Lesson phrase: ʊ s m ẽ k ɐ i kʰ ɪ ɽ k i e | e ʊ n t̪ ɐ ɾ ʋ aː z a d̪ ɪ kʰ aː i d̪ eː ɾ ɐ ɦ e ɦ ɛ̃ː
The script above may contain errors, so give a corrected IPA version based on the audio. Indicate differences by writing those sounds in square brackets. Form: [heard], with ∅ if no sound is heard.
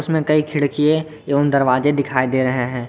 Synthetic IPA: ʊ s m ẽ k ɐ i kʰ ɪ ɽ k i e | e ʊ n [d̪] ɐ ɾ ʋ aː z [e] d̪ ɪ kʰ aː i d̪ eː ɾ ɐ ɦ e ɦ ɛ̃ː